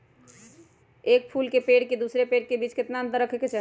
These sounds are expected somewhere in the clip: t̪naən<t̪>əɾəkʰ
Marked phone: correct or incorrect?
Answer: correct